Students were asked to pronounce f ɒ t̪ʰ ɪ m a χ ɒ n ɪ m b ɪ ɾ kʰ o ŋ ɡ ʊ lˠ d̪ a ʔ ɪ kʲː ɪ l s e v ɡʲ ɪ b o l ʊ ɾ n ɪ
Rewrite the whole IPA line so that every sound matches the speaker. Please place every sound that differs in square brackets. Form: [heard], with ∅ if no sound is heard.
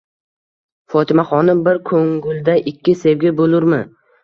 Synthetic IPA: f ɒ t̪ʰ ɪ m a χ ɒ n ɪ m b ɪ ɾ kʰ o ŋ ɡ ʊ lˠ d̪ a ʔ ɪ kʲː ɪ [∅] s e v ɡʲ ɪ b o l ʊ ɾ [m] ɪ